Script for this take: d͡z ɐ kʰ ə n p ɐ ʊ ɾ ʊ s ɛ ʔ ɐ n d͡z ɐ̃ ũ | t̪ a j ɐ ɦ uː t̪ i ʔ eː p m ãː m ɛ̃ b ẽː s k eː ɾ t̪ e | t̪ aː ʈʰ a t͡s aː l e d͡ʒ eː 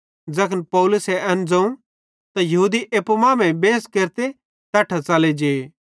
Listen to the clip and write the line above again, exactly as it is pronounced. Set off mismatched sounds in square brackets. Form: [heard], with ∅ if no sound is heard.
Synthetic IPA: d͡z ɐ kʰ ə n p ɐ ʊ [l] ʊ s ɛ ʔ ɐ n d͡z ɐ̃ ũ | t̪ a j ɐ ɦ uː [d̪] i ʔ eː p m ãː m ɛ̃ b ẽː s k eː ɾ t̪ e | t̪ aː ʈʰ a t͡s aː l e d͡ʒ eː